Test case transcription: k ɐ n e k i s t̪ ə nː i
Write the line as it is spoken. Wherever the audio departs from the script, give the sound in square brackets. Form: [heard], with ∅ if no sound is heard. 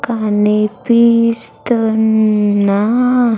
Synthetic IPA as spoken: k [a] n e [p] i s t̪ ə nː [a]